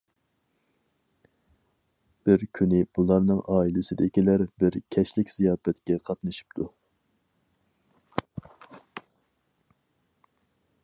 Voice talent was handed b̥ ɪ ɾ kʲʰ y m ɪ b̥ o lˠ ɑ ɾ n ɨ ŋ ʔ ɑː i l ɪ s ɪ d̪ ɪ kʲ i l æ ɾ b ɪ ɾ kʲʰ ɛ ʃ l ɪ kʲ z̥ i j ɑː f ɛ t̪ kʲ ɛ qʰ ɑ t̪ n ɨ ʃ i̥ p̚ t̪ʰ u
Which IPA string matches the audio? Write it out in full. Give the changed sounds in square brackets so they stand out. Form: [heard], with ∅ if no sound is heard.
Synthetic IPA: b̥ ɪ ɾ kʲʰ y [n] ɪ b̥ [u] lˠ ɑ ɾ n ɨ ŋ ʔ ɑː i l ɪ s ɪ d̪ ɪ kʲ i l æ ɾ b ɪ ɾ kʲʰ ɛ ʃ l ɪ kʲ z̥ i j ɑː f ɛ t̪ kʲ ɛ qʰ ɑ t̪ n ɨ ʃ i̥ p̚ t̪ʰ u